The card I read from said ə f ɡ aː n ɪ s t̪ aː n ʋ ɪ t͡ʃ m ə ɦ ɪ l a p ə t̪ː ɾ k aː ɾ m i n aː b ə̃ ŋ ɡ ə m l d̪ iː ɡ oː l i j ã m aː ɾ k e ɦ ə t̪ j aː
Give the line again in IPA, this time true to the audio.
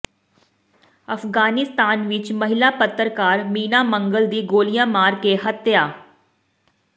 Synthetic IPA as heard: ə f ɡ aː n ɪ s t̪ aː n ʋ ɪ t͡ʃ m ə ɦ ɪ l a p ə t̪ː ɾ k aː ɾ m iː n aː m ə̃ ŋ ɡ ə l d̪ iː ɡ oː l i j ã m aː ɾ k e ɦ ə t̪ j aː